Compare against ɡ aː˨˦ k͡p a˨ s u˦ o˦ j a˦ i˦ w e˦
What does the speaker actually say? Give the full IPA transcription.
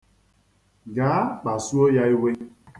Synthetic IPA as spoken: ɡ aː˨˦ k͡p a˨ s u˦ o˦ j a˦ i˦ w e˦